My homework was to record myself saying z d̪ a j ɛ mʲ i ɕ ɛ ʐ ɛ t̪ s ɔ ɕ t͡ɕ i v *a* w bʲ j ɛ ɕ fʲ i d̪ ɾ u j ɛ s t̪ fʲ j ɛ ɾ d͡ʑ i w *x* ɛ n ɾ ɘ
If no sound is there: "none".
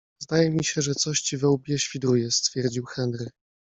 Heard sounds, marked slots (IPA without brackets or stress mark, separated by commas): ɛ, x